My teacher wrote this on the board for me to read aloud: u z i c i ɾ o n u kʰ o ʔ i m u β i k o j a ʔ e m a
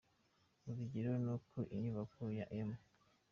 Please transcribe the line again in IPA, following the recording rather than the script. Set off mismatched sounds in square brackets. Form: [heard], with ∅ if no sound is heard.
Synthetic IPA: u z i [ɟ] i ɾ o n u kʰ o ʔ i [ɲ] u β [a] k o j a ʔ e m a